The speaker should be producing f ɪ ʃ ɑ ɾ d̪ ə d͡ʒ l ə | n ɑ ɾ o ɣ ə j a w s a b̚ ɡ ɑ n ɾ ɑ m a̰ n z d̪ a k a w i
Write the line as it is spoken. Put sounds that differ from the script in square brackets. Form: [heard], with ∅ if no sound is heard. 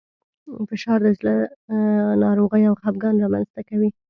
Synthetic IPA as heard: f ɪ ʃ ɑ ɾ d̪ ə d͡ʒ l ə | n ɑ ɾ o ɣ ə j a w [x] a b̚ ɡ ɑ n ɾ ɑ m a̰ n z [t̪] a k a w i